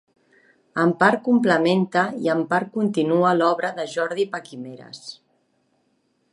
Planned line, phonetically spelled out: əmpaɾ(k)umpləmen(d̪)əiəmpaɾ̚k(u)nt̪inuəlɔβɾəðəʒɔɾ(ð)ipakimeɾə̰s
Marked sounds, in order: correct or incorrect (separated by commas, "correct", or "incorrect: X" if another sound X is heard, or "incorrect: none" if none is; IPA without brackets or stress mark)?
correct, incorrect: t̪, correct, correct